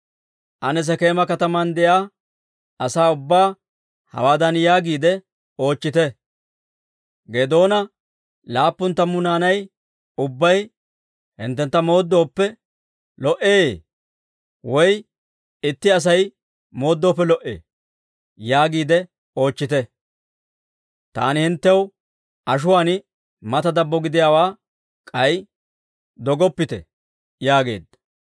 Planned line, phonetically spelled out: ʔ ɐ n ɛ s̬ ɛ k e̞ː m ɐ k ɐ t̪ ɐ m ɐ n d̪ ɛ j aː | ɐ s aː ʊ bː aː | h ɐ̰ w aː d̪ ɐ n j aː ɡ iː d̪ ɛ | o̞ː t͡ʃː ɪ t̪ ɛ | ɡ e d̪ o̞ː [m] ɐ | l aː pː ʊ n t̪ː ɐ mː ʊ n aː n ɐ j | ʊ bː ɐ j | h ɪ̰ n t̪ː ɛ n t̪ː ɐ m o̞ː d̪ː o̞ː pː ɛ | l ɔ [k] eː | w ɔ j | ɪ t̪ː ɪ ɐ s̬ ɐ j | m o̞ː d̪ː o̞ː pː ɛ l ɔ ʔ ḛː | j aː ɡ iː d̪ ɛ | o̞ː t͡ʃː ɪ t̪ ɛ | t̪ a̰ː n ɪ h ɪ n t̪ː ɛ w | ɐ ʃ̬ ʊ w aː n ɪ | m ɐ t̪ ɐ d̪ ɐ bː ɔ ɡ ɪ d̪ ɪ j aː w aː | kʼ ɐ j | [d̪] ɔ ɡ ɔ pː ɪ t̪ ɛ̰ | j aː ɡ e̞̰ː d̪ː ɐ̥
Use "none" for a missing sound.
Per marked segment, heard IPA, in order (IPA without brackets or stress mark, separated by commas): n, ʔ, d̪